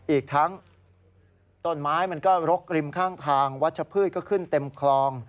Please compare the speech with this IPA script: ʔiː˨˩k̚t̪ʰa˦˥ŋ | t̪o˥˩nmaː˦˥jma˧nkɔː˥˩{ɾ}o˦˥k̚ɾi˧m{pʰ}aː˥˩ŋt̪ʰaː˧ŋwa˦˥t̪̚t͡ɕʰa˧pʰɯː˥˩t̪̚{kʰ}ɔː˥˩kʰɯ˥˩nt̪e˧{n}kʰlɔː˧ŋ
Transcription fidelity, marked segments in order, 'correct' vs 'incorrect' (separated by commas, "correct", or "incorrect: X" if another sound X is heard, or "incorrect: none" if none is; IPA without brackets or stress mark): correct, incorrect: kʰ, incorrect: k, incorrect: m